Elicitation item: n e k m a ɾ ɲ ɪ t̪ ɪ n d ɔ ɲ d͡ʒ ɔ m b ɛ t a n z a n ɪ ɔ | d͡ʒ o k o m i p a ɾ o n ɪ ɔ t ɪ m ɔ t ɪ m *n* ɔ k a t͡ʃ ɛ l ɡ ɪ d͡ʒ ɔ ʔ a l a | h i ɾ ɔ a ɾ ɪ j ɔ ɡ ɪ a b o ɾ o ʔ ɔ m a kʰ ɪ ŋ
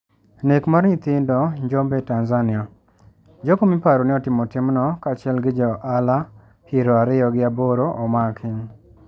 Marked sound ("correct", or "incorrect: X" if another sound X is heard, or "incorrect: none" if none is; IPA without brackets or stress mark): correct